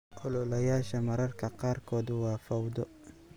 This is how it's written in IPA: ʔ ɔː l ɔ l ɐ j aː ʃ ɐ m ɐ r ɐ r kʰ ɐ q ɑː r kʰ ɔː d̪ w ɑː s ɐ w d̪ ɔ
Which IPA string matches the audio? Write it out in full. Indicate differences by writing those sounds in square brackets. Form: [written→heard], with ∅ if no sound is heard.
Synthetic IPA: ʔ [ɔː→ɔ] l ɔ l ɐ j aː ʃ ɐ m ɐ [r→ɾ] ɐ r kʰ ɐ q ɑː r kʰ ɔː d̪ w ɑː [s→f] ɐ w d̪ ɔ